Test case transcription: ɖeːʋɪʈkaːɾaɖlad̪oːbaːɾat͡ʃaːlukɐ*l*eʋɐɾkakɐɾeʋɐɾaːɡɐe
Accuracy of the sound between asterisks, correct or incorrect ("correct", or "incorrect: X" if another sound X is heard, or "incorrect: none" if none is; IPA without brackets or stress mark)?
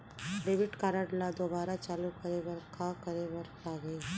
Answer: incorrect: ɾ